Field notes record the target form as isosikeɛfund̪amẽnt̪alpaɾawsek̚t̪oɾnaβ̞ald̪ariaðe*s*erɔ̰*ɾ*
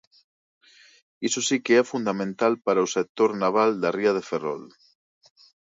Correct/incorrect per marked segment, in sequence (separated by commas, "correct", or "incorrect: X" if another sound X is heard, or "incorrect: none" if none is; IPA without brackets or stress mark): incorrect: f, incorrect: l